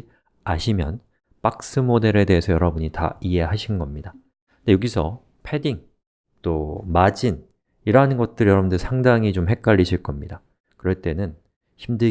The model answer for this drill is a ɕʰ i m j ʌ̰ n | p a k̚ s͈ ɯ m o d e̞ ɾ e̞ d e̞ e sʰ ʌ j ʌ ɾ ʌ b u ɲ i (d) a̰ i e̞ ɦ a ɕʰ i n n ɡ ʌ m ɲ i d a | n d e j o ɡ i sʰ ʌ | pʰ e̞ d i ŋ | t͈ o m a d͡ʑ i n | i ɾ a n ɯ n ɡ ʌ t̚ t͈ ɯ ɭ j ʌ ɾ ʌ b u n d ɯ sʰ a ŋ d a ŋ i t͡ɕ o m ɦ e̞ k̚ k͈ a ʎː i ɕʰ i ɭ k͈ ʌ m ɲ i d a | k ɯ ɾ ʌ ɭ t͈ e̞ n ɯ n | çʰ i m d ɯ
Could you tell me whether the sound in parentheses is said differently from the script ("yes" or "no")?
yes